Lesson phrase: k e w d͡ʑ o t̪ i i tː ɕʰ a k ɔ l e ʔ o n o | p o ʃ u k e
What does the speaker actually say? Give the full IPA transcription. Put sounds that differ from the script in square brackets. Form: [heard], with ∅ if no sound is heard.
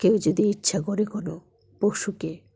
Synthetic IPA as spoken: k e w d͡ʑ o [d̪] i i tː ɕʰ a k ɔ [ɾ] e [k] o n o | p o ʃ u k e